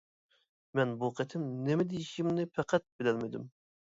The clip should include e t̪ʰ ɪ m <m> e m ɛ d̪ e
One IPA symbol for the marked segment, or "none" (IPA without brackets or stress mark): n